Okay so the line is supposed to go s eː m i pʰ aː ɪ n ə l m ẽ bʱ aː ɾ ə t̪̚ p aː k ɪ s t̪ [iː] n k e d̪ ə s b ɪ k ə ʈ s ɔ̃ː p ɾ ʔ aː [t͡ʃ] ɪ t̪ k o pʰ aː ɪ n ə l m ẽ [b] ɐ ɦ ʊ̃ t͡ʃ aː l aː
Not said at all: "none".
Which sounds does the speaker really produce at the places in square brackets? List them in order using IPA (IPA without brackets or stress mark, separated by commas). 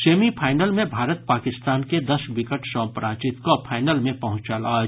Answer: aː, t͡ʃ, p